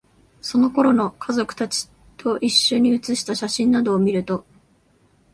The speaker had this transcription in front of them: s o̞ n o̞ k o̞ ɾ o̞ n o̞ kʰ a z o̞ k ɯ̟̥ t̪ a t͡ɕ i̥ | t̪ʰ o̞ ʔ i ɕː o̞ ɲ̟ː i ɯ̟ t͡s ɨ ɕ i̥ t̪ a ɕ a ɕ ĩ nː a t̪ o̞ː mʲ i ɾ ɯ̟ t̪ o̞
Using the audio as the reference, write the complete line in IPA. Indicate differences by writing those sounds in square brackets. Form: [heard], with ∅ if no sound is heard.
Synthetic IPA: s o̞ n o̞ k o̞ ɾ o̞ n o̞ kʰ a z o̞ k ɯ̟̥ t̪ a t͡ɕ i̥ | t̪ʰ o̞ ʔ i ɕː o̞ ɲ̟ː i ɯ̟ t͡s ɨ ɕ i̥ t̪ a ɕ a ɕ ĩ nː a [d̪] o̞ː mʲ i ɾ ɯ̟ t̪ o̞